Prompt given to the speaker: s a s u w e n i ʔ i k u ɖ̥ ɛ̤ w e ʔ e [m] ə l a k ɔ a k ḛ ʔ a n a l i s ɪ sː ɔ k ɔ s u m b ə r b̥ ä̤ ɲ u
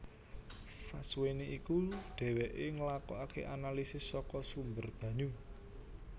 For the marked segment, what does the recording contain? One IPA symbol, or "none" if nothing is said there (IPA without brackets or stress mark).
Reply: ŋ